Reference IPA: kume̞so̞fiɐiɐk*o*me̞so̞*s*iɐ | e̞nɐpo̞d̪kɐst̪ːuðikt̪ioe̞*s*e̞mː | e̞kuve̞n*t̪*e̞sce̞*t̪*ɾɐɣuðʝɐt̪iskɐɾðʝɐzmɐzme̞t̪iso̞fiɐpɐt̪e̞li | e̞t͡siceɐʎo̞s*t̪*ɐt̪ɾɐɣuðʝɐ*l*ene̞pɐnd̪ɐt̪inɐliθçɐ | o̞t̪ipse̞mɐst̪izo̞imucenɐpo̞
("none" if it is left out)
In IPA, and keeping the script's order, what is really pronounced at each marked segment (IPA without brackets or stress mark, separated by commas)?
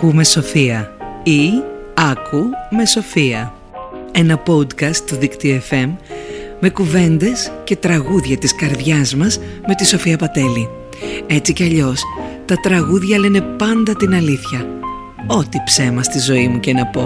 u, f, f, d̪, t̪, t̪, l